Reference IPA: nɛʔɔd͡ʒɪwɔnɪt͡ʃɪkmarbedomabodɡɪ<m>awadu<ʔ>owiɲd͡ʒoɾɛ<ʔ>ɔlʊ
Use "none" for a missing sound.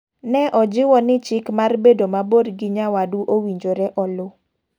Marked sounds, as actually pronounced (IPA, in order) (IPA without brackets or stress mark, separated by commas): ɲ, ʔ, ʔ